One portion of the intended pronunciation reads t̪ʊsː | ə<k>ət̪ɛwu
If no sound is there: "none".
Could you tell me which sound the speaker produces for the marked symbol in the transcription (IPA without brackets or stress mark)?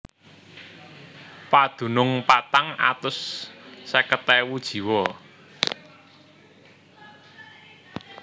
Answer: k